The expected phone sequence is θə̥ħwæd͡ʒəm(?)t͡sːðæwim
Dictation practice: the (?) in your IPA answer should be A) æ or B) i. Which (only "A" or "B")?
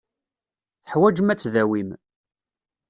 A